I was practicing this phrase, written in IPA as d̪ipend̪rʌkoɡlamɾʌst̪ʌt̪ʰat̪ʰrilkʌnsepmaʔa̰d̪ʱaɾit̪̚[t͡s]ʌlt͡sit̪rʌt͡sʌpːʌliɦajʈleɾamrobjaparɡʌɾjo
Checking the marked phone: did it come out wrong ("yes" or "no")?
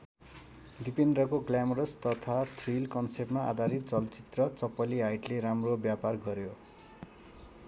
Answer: no